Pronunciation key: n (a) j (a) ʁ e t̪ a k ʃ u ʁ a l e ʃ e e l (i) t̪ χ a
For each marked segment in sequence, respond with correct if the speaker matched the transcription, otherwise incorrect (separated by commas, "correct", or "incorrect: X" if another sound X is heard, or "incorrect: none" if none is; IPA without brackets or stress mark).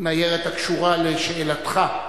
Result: correct, incorrect: e, incorrect: a